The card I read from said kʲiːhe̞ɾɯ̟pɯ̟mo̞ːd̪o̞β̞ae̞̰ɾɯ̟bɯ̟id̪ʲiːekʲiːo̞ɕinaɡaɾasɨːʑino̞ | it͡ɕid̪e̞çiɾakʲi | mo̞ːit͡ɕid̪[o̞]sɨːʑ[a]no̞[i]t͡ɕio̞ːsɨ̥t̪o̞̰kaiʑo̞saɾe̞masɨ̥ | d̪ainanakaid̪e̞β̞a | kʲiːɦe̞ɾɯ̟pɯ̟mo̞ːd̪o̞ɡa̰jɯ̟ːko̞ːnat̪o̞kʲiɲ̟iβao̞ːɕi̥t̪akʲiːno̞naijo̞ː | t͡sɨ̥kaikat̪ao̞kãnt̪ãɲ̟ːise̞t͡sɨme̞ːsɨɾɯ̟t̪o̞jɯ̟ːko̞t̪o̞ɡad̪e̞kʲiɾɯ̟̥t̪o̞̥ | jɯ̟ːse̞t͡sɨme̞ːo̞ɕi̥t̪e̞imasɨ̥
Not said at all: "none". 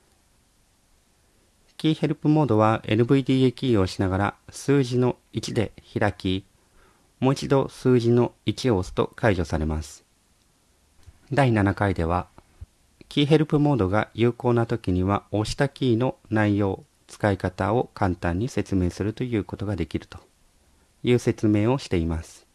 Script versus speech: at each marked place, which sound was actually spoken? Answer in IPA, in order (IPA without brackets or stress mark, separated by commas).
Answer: o̞, i, i